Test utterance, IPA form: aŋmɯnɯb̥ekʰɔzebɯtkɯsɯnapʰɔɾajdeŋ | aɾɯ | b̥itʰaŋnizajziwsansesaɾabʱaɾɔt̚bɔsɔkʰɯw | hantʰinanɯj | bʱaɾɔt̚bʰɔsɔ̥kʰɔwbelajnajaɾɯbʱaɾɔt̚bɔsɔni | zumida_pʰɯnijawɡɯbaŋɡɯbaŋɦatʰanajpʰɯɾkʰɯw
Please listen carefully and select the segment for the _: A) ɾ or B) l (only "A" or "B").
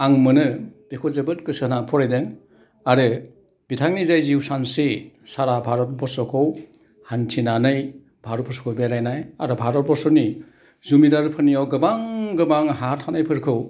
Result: A